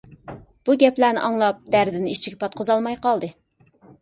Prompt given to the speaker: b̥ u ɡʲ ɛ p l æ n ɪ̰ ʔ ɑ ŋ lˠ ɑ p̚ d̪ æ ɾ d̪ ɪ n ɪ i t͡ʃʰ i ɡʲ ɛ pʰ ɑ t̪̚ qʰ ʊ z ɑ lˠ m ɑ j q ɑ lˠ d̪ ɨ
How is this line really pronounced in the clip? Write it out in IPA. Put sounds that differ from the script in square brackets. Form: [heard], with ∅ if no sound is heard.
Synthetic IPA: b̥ u ɡʲ ɛ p l æ n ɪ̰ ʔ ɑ ŋ lˠ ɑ p̚ d̪ æ ɾ d̪ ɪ n ɪ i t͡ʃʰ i ɡʲ ɛ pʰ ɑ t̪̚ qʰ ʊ z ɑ lˠ m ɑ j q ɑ lˠ d̪ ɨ